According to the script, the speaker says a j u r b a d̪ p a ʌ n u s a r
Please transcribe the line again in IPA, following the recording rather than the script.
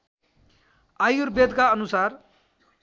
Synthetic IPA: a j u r b e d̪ k a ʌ n u s a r